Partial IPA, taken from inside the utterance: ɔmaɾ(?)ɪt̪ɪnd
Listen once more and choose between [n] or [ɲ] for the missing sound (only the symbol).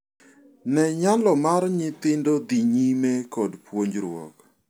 ɲ